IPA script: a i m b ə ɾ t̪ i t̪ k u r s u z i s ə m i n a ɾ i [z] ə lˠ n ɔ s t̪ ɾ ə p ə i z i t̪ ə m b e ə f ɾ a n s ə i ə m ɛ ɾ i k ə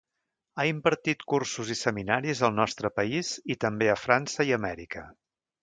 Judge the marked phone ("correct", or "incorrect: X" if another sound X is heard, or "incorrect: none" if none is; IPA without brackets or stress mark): correct